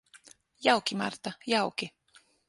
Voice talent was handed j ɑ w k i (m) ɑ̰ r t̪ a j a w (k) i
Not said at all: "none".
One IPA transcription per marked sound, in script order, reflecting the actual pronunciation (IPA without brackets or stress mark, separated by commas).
m, k